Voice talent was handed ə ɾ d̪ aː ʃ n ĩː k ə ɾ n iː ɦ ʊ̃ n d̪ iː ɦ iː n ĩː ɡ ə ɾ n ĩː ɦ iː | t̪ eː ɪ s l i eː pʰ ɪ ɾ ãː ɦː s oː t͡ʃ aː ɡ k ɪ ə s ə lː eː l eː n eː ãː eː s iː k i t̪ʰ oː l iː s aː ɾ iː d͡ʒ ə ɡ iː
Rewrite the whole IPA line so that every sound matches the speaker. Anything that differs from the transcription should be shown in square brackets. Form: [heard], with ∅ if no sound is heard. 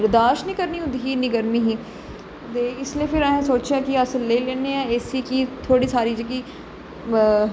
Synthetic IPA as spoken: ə ɾ d̪ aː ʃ n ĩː k ə ɾ n iː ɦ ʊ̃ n d̪ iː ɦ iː n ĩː ɡ ə ɾ [m] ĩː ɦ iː | t̪ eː ɪ s l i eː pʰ ɪ ɾ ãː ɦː s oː t͡ʃ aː [∅] k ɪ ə s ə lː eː l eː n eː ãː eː s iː k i t̪ʰ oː [ɽ] iː s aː ɾ iː d͡ʒ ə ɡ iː